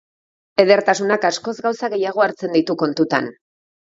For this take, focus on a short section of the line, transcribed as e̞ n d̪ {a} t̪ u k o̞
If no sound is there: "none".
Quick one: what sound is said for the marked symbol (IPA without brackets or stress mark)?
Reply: i